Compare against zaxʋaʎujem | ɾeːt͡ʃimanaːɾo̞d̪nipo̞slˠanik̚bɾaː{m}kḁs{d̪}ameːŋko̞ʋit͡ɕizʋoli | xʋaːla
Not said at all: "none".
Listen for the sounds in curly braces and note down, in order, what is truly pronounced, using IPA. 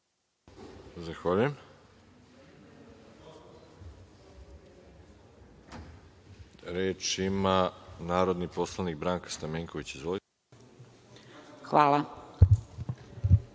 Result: ŋ, t̪

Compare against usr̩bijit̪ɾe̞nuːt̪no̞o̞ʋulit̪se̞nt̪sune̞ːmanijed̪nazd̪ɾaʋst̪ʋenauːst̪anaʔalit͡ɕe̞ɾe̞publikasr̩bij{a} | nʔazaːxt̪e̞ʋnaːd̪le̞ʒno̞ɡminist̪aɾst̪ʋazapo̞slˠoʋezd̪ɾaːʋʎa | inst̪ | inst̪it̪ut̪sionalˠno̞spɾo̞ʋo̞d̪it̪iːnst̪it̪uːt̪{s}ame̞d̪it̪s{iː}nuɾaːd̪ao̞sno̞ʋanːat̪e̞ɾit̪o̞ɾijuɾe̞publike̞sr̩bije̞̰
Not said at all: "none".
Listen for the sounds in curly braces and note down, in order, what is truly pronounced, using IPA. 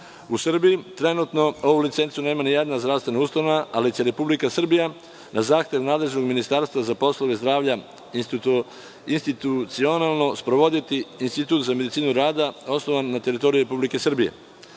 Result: a, z, iː

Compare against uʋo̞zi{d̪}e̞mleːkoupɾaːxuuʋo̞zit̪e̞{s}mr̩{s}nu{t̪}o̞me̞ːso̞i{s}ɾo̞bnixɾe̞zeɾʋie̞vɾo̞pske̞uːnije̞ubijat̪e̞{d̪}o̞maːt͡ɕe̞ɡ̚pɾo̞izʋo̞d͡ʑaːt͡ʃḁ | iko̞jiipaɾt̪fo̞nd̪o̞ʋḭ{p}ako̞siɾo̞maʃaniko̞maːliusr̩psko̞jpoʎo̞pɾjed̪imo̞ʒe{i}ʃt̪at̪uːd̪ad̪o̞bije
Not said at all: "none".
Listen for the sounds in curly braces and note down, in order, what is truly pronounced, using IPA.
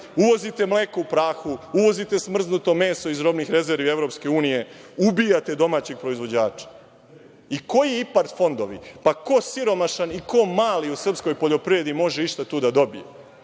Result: t̪, s, z, t̪, z, d̪, p, i

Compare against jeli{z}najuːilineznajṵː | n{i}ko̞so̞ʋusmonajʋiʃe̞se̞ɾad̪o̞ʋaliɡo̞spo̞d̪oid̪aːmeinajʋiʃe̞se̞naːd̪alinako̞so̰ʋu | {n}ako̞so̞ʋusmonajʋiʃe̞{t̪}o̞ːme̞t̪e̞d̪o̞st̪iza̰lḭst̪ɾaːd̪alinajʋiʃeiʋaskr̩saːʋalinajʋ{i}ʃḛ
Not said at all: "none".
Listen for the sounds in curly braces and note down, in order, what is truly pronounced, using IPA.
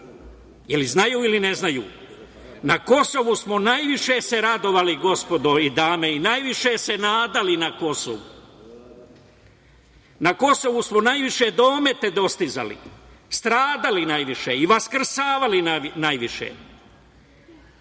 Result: z, a, n, d̪, i

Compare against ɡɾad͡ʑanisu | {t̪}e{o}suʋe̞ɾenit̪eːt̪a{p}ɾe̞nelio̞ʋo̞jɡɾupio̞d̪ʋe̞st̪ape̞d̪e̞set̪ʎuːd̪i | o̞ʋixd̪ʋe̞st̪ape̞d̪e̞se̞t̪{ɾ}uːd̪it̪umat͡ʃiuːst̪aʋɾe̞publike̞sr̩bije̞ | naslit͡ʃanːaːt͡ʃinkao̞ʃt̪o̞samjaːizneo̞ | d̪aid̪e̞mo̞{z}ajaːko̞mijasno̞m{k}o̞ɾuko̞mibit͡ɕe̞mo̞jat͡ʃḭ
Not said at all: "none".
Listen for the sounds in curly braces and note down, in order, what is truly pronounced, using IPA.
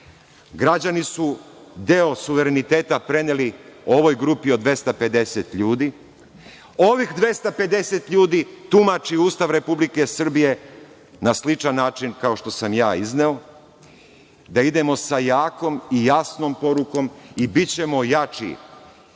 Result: d̪, o, p, ʎ, s, p

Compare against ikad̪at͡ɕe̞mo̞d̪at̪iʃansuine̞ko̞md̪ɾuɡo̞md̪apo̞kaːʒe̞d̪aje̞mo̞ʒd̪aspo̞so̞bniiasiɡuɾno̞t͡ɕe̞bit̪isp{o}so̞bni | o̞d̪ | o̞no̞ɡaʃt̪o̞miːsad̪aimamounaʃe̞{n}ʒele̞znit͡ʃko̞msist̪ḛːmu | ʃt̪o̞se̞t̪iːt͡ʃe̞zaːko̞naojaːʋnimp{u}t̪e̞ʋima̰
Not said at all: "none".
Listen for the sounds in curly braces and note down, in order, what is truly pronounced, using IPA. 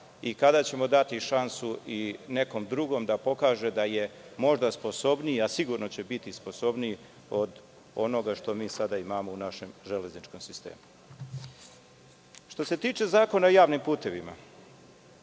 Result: o, m, uː

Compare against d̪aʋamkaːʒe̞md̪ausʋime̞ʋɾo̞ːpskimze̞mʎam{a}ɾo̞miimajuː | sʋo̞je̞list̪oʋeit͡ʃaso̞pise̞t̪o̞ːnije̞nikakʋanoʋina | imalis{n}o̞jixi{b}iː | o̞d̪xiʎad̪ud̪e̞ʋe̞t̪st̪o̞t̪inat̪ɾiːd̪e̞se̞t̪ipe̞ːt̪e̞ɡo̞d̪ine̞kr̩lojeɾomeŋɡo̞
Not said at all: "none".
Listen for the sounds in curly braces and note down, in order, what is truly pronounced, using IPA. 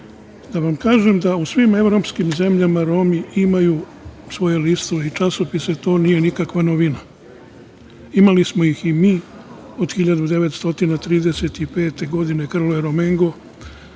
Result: a, m, m

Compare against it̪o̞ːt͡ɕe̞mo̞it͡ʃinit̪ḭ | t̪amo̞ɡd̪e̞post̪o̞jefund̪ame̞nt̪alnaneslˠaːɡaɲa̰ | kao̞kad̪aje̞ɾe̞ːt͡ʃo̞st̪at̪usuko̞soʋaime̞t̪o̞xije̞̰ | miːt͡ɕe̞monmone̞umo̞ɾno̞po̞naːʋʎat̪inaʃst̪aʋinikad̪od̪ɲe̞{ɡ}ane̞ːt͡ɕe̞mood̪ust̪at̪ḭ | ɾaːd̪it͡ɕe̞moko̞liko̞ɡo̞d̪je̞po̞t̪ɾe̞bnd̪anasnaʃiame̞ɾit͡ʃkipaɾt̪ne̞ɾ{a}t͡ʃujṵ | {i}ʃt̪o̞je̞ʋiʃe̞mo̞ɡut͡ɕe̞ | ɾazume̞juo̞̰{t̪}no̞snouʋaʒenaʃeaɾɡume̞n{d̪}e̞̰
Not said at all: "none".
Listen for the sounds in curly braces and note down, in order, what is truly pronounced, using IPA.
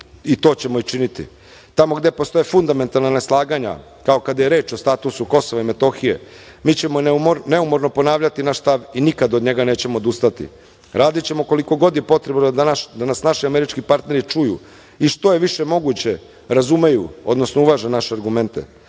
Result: ɡ, i, i, d̪, t̪

